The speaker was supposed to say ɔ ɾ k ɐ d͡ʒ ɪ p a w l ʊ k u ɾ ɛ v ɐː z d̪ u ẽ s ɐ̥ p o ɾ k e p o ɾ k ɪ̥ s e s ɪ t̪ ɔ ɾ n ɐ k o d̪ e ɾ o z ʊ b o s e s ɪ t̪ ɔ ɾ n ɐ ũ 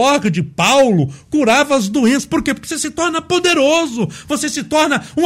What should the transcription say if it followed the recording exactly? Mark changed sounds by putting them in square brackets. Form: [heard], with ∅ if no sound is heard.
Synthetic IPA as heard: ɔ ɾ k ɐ d͡ʒ ɪ p a w l ʊ k u ɾ [a] v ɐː z d̪ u ẽ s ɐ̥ p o ɾ k e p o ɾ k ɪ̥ s e s ɪ t̪ ɔ ɾ n ɐ [p] o d̪ e ɾ o z ʊ [v] o s e s ɪ t̪ ɔ ɾ n ɐ ũ